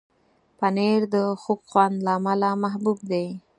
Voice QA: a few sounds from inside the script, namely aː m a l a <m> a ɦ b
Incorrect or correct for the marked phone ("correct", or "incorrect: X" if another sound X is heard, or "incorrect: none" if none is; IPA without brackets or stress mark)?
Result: correct